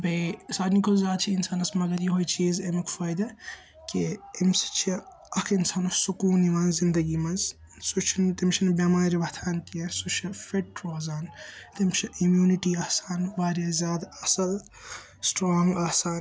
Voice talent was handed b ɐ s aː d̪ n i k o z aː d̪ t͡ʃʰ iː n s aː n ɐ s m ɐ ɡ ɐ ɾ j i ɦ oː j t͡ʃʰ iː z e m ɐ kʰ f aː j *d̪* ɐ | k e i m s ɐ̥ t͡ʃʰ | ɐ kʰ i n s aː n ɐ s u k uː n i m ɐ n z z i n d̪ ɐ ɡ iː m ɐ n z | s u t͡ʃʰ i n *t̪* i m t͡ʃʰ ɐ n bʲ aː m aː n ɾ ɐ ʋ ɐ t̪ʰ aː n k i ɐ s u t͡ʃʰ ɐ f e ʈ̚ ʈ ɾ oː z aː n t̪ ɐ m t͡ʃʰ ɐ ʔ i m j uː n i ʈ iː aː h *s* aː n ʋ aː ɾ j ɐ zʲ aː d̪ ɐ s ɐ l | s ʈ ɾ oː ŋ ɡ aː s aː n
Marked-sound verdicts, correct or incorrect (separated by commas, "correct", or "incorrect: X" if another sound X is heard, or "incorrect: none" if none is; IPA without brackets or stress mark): correct, correct, correct